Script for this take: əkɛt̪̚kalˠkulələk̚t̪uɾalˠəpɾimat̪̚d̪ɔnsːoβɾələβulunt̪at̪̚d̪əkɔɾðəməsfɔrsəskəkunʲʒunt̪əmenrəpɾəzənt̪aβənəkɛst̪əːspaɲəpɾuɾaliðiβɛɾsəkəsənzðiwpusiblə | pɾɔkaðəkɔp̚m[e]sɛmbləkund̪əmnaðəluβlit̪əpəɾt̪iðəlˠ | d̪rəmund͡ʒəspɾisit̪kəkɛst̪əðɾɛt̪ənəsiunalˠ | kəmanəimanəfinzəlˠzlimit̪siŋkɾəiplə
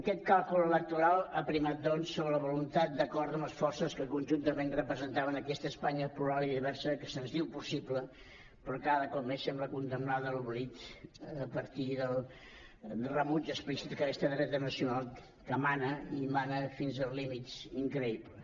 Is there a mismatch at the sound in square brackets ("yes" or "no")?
no